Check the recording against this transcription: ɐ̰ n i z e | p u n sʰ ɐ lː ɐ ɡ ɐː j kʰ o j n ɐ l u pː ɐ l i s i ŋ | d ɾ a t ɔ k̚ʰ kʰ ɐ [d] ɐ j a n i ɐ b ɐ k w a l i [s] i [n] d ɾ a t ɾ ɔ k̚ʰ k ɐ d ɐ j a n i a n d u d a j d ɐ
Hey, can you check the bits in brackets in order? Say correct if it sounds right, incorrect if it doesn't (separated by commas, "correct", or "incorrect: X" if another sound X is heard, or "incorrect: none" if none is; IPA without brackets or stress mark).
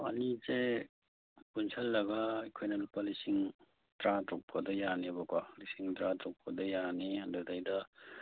correct, correct, incorrect: ŋ